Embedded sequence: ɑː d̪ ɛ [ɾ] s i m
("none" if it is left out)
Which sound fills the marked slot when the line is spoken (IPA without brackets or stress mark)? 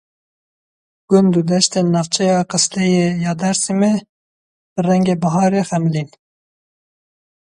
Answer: ɾ